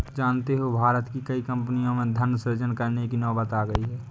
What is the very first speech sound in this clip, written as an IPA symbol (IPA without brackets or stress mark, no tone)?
d͡ʒ